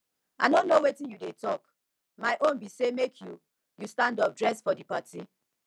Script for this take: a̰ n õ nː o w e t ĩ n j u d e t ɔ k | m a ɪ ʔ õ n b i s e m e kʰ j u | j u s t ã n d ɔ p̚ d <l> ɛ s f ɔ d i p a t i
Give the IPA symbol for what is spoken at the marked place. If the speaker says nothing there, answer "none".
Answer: ɹ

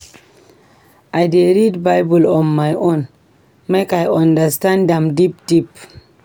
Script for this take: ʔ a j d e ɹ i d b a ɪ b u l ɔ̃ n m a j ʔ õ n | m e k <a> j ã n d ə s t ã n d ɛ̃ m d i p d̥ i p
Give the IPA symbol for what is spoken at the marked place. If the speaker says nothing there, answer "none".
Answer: a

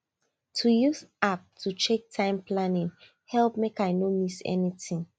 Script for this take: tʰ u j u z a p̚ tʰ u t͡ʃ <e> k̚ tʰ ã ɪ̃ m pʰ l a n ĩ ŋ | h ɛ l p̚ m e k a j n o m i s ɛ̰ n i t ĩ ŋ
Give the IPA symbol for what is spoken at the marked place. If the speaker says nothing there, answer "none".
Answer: e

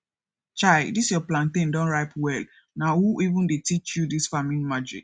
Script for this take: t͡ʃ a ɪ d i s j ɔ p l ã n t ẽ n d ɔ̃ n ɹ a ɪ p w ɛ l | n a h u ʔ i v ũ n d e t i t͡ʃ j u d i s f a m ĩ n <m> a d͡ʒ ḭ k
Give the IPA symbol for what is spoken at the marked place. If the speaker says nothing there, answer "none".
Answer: m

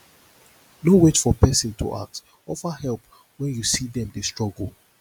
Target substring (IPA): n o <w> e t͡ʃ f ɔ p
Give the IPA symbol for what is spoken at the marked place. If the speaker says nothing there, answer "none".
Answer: w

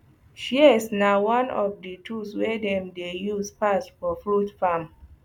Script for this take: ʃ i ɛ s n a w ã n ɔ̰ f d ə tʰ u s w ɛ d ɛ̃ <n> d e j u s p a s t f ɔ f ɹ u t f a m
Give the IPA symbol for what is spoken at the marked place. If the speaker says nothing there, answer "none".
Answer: m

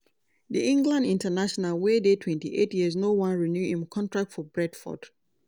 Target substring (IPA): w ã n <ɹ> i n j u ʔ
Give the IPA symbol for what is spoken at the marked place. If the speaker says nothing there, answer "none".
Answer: ɹ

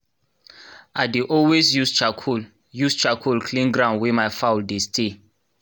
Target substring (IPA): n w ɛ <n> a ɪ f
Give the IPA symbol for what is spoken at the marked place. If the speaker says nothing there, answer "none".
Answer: m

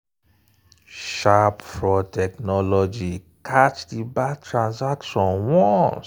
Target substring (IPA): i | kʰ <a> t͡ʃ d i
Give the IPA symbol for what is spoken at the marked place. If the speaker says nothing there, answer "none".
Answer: a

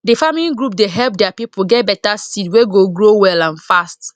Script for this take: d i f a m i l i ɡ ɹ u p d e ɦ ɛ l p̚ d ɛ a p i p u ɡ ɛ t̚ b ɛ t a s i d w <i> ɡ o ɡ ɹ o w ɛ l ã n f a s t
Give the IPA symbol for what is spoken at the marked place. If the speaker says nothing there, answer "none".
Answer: e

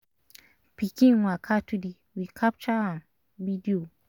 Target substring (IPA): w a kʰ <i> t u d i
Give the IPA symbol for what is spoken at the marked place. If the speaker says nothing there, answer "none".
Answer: a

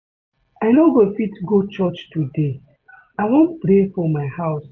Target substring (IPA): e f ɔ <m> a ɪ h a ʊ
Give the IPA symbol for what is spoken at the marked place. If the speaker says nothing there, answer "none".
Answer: m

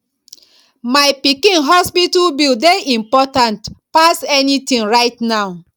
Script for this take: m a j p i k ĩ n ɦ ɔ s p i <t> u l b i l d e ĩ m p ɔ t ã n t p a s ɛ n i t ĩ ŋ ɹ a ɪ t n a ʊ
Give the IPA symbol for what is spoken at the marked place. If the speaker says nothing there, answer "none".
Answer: t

